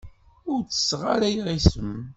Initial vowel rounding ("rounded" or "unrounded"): rounded